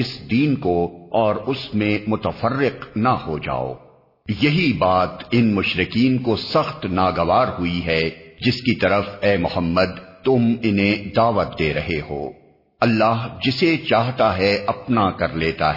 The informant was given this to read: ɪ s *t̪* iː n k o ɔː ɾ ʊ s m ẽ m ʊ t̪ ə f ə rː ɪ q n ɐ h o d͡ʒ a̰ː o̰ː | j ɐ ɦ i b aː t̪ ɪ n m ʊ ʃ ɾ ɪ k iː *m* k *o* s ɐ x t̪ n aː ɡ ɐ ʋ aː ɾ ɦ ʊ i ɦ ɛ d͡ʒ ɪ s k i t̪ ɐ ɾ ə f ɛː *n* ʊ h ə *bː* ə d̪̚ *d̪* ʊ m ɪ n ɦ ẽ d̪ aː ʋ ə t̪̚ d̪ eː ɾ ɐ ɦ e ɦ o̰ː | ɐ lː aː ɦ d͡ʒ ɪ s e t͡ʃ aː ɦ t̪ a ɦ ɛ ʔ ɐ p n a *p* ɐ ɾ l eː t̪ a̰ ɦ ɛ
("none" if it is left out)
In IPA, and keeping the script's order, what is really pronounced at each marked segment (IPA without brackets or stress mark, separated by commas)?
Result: d̪, n, o, m, mː, t̪, k